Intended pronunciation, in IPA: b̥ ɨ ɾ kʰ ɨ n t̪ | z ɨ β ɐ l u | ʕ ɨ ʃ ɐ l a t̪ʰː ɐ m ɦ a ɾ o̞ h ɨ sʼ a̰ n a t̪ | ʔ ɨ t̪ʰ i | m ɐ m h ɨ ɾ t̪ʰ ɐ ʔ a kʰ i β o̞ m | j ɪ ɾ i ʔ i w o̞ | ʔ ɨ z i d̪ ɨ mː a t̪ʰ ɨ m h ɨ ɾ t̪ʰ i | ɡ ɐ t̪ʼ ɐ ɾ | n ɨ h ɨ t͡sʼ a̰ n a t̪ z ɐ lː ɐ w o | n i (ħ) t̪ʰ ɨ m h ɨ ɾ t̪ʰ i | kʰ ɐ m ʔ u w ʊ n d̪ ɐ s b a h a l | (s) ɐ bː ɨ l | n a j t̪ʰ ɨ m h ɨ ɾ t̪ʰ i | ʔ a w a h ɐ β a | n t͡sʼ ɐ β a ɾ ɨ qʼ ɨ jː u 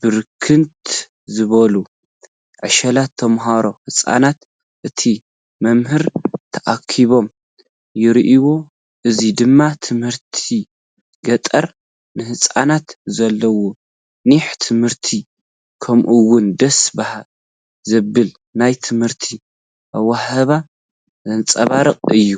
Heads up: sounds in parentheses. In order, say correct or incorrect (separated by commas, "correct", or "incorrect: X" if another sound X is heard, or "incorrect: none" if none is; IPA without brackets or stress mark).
correct, incorrect: z